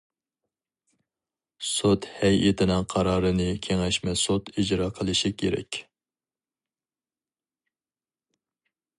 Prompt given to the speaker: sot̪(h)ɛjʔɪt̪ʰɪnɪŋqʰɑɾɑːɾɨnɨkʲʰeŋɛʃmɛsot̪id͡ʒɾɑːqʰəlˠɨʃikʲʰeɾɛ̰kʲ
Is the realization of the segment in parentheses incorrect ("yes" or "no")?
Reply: no